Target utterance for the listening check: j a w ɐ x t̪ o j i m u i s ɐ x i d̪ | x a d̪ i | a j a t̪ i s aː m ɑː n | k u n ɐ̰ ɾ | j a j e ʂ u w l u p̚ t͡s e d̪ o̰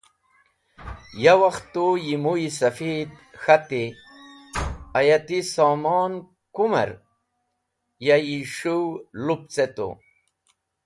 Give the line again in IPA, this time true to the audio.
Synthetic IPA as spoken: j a w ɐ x t̪ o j i m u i s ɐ f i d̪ | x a t̪ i | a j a t̪ i s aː m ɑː n | k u m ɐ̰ ɾ | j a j i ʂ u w l u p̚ t͡s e t̪ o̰

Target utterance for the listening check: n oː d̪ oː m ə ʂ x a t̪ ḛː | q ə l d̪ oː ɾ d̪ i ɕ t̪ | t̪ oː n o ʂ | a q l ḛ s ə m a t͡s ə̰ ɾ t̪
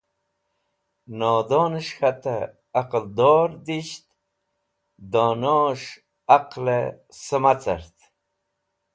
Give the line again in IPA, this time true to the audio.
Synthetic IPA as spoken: n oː d̪ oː n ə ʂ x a t̪ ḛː | q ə l d̪ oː ɾ d̪ i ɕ t̪ | d̪ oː n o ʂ | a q l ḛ s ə m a t͡s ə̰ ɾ t̪

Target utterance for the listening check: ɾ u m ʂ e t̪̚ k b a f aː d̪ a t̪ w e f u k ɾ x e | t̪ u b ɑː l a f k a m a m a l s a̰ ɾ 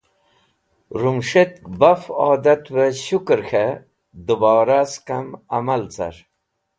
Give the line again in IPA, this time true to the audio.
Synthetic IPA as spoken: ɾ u m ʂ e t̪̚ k b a f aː d̪ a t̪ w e ɕ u k ɾ x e | d̪ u b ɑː ɾ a s k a m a m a l t͡s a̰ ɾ

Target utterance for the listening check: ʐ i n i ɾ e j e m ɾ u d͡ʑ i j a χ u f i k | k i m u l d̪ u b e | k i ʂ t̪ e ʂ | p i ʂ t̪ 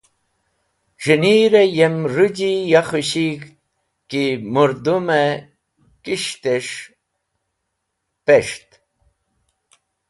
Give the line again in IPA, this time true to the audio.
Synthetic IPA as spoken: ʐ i n i ɾ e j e m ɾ u d͡ʑ i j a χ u ɕ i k | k i m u ɾ d̪ u m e | k i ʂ t̪ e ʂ | p e ʂ t̪

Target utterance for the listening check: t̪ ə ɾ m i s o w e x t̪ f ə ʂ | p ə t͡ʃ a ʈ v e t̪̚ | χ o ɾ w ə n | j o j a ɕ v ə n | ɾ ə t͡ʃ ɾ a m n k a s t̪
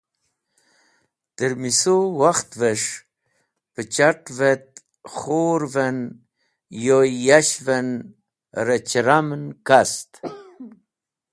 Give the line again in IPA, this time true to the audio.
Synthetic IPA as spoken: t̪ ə ɾ m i s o w a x t̪ v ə ʂ | p ə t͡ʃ a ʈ v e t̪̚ | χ o ɾ v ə n | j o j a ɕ v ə n | ɾ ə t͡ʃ ɾ a m n k a s t̪

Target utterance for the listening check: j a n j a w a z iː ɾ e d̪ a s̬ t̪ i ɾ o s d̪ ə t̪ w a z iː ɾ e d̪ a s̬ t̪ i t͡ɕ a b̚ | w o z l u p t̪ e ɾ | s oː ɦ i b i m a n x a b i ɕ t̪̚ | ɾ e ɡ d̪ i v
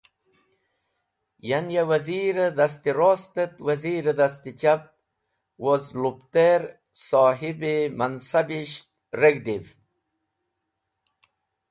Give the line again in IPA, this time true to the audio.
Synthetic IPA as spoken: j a n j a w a z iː ɾ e d̪ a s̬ t̪ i ɾ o s t̪ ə t̪ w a z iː ɾ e d̪ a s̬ t̪ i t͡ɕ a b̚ | w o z l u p t̪ e ɾ | s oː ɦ i b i m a n s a b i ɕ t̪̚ | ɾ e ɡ d̪ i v

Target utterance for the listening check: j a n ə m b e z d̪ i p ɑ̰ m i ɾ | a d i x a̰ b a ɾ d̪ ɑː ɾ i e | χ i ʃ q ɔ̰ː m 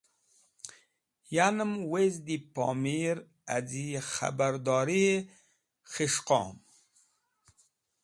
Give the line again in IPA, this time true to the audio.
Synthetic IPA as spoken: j a n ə m w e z d̪ i p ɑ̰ m i ɾ | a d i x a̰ b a ɾ d̪ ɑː ɾ i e | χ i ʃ q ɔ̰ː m

